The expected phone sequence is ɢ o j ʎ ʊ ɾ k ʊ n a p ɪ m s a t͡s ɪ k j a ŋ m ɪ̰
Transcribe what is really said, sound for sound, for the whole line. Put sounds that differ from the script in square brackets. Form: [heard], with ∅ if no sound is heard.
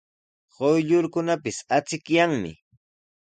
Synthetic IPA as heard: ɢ o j ʎ ʊ ɾ k ʊ n a p ɪ [∅] s a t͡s ɪ k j a ŋ m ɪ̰